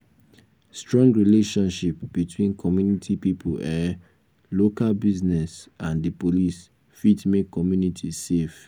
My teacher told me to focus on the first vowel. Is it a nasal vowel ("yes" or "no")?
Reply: yes